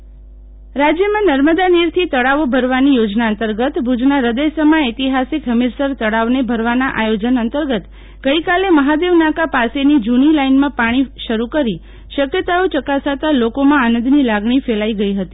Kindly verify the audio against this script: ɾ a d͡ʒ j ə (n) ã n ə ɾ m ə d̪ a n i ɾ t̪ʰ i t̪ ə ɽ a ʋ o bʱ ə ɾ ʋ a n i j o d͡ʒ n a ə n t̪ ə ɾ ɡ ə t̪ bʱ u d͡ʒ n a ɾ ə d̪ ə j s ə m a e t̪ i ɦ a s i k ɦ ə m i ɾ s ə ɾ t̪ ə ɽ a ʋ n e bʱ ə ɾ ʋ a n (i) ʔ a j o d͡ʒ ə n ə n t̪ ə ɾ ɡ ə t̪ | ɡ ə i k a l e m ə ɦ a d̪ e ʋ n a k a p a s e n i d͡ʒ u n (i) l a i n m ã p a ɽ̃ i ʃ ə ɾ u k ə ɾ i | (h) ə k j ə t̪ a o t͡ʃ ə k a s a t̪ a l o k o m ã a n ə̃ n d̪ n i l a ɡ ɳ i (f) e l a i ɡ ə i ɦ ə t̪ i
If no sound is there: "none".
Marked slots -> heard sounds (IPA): m, a, i, ʃ, f

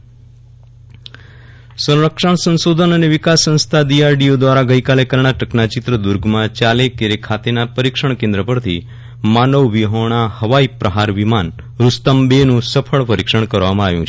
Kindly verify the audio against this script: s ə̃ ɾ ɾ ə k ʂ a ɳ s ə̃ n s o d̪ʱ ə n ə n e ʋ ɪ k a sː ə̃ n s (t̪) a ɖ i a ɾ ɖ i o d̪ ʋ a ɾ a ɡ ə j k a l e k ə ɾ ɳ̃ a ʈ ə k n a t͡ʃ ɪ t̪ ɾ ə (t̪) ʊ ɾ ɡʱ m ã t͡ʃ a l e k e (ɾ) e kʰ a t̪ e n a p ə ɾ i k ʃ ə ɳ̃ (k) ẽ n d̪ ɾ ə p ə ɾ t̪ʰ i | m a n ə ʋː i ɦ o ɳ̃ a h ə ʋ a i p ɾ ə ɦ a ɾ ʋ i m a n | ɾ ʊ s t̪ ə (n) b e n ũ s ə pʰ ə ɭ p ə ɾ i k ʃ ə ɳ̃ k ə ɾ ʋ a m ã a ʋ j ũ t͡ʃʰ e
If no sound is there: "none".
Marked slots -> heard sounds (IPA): t̪ʰ, d̪, ɾ, k, m

